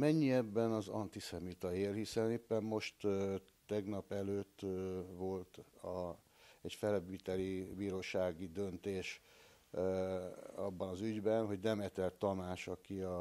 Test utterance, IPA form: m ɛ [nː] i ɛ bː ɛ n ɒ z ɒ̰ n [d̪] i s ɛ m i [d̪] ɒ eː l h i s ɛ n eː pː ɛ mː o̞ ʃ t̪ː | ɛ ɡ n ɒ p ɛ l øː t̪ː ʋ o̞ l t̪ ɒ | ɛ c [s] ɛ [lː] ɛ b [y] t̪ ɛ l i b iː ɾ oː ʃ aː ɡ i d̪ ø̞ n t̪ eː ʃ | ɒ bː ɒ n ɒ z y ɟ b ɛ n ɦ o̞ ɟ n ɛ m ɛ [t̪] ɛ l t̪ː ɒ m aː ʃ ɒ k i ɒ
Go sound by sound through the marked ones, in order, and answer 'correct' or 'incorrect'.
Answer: incorrect: ɲː, incorrect: t̪, incorrect: t̪, incorrect: f, incorrect: l, incorrect: i, correct

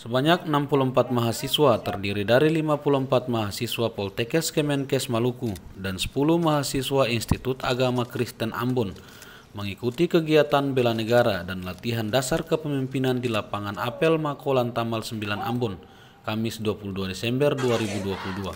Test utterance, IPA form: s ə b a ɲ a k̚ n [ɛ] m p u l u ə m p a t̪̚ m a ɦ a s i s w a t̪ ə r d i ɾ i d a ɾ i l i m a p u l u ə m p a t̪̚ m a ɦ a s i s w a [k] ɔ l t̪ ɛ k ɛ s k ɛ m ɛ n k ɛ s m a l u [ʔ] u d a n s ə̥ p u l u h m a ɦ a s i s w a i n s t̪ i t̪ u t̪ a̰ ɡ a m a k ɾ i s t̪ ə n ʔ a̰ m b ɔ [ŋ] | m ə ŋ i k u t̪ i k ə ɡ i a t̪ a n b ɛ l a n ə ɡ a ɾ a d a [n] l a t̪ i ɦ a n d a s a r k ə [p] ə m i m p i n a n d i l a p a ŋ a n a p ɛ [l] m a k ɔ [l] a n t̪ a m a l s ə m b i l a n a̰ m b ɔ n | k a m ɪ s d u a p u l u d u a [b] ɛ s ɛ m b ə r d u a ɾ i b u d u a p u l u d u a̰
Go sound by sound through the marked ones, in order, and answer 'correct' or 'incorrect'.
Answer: incorrect: a, incorrect: p, incorrect: k, incorrect: n, correct, correct, correct, correct, incorrect: d

